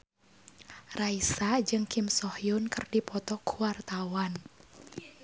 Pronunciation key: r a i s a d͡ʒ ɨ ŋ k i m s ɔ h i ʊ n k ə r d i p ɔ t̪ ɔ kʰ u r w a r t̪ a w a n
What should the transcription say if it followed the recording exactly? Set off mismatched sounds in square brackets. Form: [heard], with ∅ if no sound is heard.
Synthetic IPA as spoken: r a i s a d͡ʒ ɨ ŋ k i m s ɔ h [j] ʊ n k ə r d i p ɔ t̪ ɔ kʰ u [∅] w a r t̪ a w a n